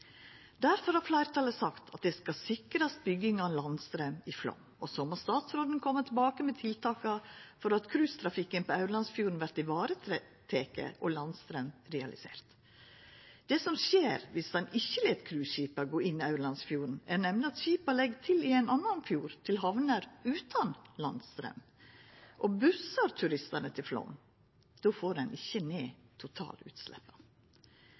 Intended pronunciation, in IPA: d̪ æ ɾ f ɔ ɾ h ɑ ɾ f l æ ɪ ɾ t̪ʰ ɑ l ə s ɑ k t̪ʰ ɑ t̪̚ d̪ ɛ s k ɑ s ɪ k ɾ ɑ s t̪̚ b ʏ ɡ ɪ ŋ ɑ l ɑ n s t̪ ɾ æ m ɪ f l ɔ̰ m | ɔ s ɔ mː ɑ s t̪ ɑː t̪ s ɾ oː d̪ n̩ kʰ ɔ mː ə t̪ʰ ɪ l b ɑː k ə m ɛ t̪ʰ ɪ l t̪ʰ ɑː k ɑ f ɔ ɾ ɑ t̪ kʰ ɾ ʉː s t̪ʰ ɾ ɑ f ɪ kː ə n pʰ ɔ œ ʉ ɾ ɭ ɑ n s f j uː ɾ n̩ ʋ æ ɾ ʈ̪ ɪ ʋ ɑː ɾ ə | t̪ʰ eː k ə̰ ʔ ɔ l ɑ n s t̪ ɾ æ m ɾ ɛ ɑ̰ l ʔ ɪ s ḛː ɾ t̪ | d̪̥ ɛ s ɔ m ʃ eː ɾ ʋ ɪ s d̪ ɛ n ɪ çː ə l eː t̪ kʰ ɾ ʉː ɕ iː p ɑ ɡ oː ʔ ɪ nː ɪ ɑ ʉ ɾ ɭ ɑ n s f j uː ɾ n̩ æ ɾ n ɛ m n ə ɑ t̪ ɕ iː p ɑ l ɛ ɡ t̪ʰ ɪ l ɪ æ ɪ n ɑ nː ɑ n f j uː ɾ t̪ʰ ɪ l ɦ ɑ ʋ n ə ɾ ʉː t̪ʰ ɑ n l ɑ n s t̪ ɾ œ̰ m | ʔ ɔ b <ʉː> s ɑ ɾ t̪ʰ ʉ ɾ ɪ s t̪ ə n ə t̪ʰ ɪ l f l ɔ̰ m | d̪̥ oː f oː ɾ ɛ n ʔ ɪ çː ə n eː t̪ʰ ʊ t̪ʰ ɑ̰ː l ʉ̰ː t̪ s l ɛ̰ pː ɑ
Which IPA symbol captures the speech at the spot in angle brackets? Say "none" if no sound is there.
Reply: ʉ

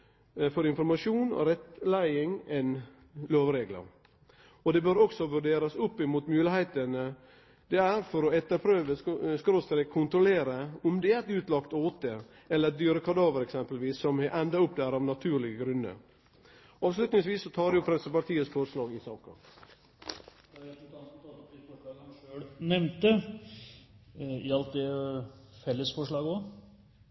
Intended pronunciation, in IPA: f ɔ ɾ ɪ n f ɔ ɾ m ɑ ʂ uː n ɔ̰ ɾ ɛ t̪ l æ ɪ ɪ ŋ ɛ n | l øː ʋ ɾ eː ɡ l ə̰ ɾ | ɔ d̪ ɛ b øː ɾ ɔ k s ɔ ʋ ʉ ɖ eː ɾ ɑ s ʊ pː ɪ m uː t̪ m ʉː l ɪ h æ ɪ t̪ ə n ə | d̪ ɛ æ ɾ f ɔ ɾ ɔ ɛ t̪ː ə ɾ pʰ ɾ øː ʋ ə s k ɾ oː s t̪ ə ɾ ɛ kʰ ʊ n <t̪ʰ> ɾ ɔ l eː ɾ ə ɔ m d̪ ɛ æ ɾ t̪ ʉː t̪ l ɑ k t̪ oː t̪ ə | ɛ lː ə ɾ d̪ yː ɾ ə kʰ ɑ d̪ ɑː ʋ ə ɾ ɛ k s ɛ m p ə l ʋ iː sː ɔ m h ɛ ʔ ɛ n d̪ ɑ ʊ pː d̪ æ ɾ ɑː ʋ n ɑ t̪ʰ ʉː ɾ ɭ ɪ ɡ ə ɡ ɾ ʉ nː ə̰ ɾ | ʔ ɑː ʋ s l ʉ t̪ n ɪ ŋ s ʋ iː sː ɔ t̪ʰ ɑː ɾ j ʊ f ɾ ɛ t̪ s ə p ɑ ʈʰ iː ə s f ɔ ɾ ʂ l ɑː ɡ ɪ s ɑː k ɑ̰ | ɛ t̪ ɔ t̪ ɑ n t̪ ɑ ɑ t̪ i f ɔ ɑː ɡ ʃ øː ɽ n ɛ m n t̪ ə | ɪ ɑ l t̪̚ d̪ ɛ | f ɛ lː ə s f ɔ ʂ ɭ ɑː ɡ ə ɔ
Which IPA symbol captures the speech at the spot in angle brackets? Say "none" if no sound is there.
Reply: t̪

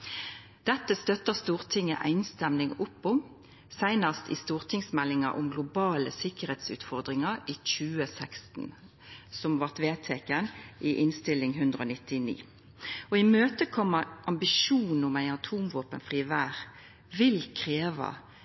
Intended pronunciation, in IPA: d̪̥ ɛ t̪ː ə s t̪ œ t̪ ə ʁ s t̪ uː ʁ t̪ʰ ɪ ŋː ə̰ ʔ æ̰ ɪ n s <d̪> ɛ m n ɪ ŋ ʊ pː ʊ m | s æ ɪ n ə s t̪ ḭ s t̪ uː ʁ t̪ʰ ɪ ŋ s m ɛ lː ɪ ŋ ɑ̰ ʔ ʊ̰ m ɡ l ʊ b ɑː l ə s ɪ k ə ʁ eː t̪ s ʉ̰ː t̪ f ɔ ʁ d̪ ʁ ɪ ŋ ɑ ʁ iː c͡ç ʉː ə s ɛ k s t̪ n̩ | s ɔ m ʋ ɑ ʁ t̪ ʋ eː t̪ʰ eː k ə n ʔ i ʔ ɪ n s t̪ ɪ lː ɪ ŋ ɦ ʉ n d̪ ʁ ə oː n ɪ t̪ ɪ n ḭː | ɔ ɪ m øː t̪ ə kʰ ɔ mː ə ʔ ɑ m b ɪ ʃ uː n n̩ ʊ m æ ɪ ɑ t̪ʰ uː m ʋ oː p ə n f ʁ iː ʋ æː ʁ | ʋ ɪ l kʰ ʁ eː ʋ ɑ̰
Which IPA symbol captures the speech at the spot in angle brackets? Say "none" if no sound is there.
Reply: t̪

